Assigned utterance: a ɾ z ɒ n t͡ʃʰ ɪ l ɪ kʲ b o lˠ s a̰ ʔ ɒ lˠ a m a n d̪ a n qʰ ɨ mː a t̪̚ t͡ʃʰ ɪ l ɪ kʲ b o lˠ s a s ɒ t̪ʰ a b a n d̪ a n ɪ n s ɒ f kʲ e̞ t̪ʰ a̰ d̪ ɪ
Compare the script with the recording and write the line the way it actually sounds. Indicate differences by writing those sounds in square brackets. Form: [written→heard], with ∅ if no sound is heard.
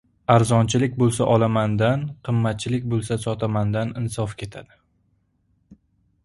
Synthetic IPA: a ɾ z ɒ n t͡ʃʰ ɪ l ɪ kʲ b o lˠ s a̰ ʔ ɒ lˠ a m a n d̪ a n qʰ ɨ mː a t̪̚ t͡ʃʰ ɪ l ɪ kʲ b o lˠ s a s ɒ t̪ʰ a [b→m] a n d̪ a n ɪ n s ɒ f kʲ e̞ t̪ʰ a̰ d̪ ɪ